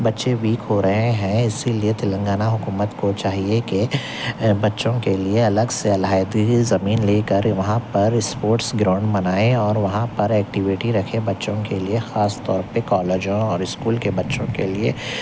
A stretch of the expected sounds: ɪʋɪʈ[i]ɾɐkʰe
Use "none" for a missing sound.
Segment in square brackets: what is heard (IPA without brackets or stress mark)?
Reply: i